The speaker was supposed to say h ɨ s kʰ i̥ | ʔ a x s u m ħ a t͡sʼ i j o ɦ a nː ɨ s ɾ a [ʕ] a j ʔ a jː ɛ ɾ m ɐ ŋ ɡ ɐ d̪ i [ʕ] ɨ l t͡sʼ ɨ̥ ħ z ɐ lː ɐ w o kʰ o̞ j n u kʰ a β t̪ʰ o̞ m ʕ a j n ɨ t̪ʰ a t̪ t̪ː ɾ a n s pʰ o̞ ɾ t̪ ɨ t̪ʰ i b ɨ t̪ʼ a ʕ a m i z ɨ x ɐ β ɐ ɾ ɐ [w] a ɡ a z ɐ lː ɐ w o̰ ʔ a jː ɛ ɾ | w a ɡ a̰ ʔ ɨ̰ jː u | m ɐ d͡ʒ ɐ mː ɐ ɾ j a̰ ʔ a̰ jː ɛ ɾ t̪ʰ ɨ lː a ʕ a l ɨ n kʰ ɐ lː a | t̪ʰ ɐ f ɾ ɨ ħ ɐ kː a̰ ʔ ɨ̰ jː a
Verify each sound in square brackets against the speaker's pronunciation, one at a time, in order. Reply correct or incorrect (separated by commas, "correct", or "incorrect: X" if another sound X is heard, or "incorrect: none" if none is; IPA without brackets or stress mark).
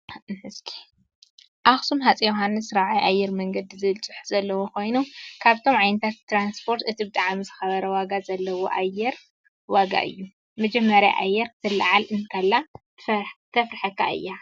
correct, incorrect: z, correct